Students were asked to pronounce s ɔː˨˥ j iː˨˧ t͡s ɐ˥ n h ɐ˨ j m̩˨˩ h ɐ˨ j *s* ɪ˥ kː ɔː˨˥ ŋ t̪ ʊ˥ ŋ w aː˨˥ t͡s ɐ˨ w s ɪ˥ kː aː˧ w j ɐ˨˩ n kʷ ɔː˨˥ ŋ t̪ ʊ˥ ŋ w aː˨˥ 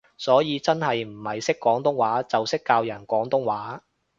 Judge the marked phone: correct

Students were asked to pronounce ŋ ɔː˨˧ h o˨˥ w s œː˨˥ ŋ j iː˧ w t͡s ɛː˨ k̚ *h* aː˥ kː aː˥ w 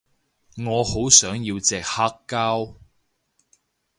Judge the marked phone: correct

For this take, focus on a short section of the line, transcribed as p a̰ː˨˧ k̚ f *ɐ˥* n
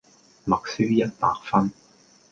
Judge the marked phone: correct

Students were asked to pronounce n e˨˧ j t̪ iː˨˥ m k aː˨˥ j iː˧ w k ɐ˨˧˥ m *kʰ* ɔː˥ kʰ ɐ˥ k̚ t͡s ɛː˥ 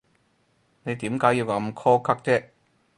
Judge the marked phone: correct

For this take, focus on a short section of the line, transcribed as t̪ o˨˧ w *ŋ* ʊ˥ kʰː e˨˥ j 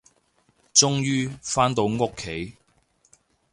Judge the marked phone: correct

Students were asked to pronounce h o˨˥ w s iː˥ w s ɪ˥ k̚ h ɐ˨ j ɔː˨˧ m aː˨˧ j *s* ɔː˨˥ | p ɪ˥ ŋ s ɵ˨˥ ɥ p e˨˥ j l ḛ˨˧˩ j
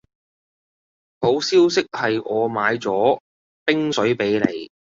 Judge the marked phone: incorrect: t͡s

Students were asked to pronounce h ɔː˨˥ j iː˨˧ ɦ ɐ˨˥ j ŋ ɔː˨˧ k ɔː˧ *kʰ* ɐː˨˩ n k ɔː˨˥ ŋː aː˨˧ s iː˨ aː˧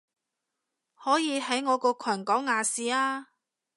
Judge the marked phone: correct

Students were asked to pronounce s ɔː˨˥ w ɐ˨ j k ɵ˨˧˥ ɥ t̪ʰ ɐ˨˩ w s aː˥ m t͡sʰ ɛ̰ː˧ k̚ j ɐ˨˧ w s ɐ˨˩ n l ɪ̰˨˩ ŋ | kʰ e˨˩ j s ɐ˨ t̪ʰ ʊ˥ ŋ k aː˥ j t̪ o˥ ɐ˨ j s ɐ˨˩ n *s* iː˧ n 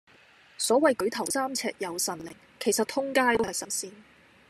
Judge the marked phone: correct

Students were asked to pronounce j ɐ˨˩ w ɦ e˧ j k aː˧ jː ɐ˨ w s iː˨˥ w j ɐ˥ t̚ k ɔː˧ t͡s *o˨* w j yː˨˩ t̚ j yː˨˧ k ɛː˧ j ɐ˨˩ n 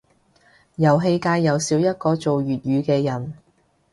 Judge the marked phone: correct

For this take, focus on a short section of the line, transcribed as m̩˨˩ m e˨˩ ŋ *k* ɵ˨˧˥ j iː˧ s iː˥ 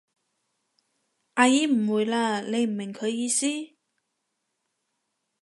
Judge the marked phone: incorrect: kʰ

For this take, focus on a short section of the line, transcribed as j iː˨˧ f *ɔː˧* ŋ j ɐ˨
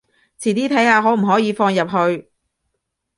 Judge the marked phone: correct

